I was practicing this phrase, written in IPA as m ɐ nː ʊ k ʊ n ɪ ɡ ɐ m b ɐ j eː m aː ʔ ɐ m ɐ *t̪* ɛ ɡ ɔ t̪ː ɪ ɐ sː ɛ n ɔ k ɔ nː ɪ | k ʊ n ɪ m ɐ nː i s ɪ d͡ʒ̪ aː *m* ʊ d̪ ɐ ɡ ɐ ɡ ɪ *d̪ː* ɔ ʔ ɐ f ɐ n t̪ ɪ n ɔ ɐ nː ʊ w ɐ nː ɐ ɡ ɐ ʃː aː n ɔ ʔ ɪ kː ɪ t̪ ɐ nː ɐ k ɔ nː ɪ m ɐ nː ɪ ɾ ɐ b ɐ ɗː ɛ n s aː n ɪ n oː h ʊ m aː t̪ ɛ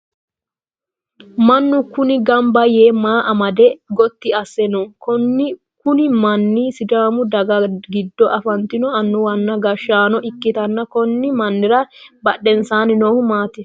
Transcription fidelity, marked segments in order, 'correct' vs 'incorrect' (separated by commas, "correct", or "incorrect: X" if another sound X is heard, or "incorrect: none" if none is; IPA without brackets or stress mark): incorrect: d̪, correct, correct